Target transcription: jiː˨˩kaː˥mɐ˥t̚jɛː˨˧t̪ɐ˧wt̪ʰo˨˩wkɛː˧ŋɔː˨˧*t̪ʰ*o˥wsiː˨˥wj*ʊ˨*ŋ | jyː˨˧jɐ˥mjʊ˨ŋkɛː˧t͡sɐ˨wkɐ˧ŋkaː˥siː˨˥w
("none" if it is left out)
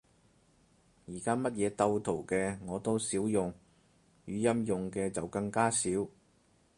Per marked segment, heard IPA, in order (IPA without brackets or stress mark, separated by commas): t̪, ʊ˨